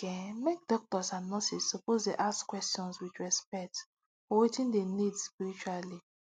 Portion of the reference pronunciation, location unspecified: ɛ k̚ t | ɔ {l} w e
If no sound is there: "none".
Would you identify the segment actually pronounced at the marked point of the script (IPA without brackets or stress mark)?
none